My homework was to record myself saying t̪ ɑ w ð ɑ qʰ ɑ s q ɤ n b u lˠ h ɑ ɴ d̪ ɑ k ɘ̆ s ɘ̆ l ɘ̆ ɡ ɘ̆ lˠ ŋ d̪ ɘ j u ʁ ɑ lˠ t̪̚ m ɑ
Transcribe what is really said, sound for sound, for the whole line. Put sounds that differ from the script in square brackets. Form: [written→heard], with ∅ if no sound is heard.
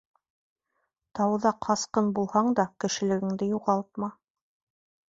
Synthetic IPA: t̪ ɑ w ð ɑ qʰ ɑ s q ɤ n b u lˠ h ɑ ɴ d̪ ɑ k ɘ̆ [s→ʃ] ɘ̆ l ɘ̆ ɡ ɘ̆ [lˠ→∅] ŋ d̪ ɘ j u ʁ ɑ lˠ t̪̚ m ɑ